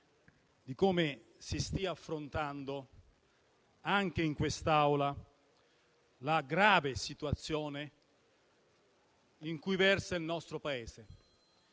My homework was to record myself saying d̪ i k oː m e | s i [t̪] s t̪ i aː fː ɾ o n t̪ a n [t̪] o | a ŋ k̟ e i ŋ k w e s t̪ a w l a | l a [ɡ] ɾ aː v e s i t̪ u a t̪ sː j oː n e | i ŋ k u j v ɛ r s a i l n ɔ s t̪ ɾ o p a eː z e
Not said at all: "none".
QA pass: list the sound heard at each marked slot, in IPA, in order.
none, d̪, ɡ

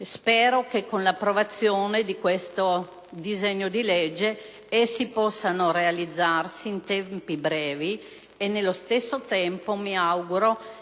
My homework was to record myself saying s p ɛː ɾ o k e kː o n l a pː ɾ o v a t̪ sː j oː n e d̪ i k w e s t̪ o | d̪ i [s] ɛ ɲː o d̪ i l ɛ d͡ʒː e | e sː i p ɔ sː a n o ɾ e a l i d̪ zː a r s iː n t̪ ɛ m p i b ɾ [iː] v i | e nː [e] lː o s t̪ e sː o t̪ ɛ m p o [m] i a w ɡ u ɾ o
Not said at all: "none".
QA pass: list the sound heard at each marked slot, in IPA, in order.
z, ɛː, e, m

